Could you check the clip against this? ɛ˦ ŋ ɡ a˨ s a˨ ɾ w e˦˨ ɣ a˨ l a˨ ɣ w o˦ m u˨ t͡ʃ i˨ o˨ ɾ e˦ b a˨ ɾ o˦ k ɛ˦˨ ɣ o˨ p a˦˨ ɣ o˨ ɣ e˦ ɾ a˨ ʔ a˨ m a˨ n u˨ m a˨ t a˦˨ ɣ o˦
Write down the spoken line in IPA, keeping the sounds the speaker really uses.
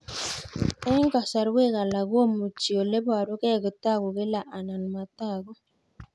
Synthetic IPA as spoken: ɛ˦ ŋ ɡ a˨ s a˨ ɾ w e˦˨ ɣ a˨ l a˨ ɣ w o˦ m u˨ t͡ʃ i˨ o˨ l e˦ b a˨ ɾ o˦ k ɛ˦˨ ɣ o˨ t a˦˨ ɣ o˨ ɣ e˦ l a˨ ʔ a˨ n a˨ n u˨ m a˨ t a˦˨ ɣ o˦